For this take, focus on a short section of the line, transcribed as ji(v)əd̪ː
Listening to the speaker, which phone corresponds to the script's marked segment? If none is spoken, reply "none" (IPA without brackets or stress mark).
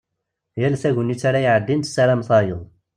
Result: ʕ